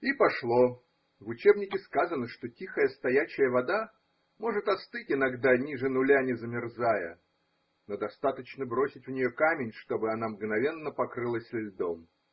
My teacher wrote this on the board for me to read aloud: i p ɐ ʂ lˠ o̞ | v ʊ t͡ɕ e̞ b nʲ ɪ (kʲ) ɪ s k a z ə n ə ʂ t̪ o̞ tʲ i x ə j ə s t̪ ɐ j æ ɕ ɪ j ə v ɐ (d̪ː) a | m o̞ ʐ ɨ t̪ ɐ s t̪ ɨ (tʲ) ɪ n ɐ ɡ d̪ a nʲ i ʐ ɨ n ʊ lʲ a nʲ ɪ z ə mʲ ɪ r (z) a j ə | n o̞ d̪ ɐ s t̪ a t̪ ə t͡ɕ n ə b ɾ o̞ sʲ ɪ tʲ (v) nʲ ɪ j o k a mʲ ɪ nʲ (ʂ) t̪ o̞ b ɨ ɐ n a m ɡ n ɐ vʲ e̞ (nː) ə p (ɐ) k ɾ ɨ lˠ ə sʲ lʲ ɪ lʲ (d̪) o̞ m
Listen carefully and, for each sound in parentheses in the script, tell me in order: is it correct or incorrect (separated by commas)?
correct, incorrect, correct, correct, correct, correct, correct, correct, correct